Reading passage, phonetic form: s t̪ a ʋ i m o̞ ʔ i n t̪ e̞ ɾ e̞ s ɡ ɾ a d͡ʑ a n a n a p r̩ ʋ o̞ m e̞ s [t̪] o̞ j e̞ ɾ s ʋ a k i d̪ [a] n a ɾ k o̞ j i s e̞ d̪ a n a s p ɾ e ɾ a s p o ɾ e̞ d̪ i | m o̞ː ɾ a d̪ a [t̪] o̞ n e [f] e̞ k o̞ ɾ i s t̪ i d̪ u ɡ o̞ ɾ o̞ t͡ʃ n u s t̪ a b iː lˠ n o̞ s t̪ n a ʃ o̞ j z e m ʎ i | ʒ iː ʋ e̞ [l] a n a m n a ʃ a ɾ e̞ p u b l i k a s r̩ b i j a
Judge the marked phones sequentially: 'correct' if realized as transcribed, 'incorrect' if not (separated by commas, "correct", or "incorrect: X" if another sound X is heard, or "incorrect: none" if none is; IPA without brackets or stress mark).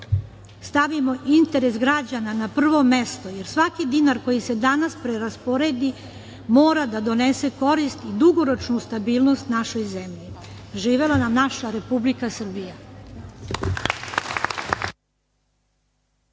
correct, incorrect: i, incorrect: d̪, incorrect: s, correct